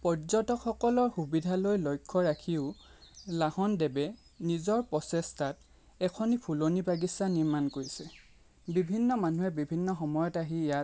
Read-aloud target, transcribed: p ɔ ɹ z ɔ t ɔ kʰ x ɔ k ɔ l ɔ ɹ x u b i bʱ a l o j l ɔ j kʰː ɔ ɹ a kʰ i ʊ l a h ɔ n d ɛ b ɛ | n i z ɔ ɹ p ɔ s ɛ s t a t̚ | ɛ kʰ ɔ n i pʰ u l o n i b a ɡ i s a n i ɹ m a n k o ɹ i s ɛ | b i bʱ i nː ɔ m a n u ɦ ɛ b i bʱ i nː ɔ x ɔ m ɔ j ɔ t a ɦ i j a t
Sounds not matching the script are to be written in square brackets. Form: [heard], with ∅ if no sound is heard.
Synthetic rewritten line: p ɔ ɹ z ɔ t ɔ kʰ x ɔ k ɔ l ɔ ɹ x u b i [dʱ] a l o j l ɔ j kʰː ɔ ɹ a kʰ i ʊ l a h ɔ n d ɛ b ɛ | n i z ɔ ɹ p ɔ s ɛ s t a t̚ | ɛ kʰ ɔ n i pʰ u l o n i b a ɡ i s a n i ɹ m a n k o ɹ i s ɛ | b i bʱ i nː ɔ m a n u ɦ ɛ b i bʱ i nː ɔ x ɔ m ɔ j ɔ t a ɦ i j a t

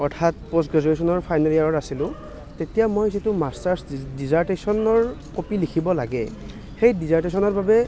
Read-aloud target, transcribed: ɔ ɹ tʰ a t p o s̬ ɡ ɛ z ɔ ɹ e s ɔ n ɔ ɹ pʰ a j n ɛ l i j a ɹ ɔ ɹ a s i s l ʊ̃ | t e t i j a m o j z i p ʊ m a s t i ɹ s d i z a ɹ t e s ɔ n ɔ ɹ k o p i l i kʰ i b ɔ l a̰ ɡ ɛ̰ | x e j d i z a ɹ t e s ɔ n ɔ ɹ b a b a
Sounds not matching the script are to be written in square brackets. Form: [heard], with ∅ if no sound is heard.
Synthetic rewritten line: ɔ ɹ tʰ a t p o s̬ ɡ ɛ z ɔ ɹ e s ɔ n ɔ ɹ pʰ a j n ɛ l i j a ɹ ɔ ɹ a s i [∅] l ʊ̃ | t e t i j a m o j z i [t] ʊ m a s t [a] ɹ s d i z a ɹ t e s ɔ n ɔ ɹ k o p i l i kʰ i b ɔ l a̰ ɡ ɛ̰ | x e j d i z a ɹ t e s ɔ n ɔ ɹ b a b [ɛ]

